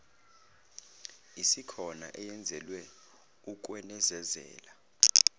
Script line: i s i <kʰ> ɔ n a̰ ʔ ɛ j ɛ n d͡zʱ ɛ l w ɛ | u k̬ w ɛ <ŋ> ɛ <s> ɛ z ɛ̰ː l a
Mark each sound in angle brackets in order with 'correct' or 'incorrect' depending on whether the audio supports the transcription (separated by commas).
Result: correct, incorrect, incorrect